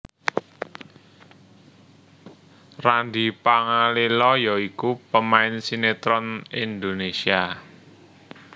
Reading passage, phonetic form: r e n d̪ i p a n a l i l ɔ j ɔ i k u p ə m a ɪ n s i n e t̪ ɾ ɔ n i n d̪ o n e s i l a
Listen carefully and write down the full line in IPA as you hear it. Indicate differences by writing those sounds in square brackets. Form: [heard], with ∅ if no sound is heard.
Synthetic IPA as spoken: r [a] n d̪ i p a [ŋ] a l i l ɔ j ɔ i k u p ə m a ɪ n s i n e t̪ ɾ ɔ n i n d̪ o n e s i [∅] a